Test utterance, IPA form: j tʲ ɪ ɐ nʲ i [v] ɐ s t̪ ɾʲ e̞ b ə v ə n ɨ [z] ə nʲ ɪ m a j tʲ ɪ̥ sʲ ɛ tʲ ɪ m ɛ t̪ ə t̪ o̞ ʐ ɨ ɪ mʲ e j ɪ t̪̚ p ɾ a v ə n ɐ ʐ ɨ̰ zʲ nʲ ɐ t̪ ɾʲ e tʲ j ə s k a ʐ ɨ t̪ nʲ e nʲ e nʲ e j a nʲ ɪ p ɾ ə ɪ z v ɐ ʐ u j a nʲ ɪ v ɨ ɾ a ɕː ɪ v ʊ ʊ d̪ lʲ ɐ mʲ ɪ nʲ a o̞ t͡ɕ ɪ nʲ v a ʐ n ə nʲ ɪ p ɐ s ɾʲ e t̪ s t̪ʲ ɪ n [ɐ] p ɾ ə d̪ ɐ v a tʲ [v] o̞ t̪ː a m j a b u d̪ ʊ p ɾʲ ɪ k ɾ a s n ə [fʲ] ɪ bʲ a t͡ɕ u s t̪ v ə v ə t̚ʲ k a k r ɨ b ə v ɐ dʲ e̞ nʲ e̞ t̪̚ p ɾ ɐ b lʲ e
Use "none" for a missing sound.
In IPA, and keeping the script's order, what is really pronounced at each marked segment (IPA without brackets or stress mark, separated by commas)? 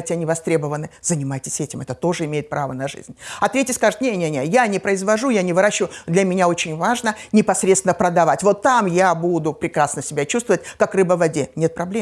v, z, ə, v, sʲ